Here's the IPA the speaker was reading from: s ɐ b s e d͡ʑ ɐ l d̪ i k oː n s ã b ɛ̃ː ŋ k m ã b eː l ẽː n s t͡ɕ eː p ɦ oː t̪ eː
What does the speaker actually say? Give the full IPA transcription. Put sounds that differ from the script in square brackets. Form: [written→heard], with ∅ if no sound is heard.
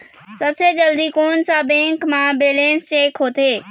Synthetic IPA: s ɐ b s e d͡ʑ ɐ l d̪ i k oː n s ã b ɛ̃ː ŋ k m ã b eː l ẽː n s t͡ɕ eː [p→k] ɦ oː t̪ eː